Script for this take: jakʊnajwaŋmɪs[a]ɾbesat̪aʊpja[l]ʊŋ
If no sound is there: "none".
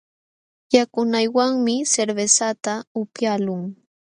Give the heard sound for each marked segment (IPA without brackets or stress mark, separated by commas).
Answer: e, l